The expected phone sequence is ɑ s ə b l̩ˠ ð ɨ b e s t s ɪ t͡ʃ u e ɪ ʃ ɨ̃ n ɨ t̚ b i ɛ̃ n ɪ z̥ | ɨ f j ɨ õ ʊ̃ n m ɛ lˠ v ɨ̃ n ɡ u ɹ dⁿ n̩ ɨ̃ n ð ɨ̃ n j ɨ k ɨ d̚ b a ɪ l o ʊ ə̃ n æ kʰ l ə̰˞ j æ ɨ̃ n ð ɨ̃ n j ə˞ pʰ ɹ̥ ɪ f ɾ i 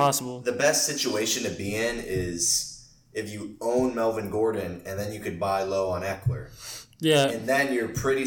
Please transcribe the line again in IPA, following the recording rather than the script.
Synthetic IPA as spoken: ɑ s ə b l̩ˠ ð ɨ b ɛ s t s ɪ t͡ʃ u e ɪ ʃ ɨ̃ n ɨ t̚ b i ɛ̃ n ɪ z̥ | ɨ f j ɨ õ ʊ̃ n m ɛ lˠ v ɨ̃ n ɡ ɔ ɹ dⁿ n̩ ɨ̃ n ð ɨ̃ n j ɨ k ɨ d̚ b a ɪ l o ʊ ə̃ n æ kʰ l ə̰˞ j æ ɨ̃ n ð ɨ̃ n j ə˞ pʰ ɹ̥ ɪ ɾ i